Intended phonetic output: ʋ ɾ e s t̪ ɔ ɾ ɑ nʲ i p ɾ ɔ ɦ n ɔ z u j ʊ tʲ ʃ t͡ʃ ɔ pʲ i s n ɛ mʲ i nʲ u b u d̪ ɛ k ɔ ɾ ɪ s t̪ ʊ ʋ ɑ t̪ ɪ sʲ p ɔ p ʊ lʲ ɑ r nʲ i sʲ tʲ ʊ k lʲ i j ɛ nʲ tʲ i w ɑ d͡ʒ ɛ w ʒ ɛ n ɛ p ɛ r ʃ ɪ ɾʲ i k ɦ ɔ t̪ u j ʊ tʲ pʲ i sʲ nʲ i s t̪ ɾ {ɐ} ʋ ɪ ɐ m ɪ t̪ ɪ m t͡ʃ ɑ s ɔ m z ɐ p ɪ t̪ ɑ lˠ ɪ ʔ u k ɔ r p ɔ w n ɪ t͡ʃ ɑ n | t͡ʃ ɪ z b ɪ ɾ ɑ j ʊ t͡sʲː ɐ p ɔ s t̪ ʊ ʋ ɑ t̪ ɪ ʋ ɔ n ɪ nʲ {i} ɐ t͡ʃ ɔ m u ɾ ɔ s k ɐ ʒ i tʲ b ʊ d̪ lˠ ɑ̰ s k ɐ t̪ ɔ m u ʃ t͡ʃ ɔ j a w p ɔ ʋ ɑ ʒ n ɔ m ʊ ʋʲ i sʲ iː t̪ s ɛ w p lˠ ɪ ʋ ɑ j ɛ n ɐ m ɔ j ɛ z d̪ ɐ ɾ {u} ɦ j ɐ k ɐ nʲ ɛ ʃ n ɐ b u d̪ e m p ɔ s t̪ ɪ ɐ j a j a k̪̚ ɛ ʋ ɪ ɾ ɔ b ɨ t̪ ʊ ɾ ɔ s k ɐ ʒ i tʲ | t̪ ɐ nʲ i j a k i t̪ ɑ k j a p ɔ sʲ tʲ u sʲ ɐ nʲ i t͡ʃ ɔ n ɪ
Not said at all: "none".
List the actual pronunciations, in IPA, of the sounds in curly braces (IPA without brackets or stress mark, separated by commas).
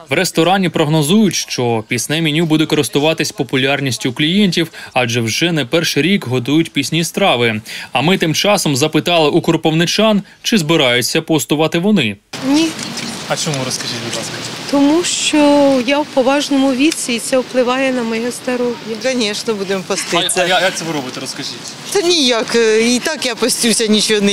ɑ, i, ɔ